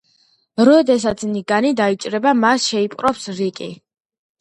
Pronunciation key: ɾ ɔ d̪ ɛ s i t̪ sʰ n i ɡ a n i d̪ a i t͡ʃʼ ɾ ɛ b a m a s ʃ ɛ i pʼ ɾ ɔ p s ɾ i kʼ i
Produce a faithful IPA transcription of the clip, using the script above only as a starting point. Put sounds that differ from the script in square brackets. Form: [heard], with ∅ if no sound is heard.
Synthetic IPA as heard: ɾ ɔ d̪ ɛ s [a] t̪ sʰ n i ɡ a n i d̪ a i t͡ʃʼ ɾ ɛ b a m a s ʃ ɛ i pʼ ɾ ɔ p s ɾ i kʼ i